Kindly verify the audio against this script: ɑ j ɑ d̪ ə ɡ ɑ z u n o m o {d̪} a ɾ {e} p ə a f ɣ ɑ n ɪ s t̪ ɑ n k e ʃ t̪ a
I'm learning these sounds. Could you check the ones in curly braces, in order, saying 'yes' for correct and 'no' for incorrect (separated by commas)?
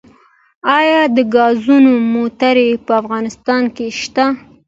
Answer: no, yes